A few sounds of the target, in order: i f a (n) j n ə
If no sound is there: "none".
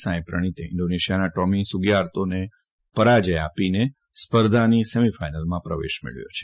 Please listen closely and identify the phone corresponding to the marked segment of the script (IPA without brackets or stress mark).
none